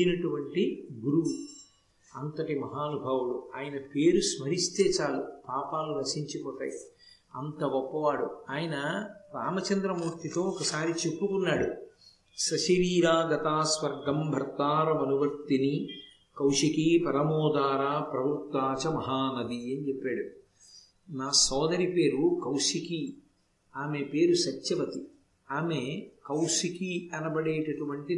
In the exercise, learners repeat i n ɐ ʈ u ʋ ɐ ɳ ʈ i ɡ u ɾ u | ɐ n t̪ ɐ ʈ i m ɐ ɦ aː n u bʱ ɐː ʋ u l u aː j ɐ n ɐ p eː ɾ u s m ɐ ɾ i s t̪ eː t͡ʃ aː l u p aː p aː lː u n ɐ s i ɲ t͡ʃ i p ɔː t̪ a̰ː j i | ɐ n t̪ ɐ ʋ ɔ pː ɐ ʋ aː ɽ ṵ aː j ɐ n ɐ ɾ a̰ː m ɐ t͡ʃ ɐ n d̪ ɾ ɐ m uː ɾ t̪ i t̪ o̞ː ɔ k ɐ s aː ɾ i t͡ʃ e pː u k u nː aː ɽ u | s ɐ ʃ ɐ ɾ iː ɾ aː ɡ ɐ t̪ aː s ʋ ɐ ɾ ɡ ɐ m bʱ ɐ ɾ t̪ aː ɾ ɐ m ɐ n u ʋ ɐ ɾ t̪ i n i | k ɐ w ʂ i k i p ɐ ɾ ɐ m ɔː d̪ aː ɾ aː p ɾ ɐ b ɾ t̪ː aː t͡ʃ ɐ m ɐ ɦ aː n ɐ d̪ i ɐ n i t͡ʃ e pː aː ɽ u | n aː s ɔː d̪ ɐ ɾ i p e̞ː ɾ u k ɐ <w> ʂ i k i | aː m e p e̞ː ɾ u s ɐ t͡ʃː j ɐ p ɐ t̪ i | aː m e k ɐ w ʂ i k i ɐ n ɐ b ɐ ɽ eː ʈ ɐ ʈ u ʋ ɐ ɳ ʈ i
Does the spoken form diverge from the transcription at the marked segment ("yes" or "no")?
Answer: no